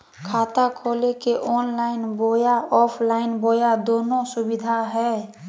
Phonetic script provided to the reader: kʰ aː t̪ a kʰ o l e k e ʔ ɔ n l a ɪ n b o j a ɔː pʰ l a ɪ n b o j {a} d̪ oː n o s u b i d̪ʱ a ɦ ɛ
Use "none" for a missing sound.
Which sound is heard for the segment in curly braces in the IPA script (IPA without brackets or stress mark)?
a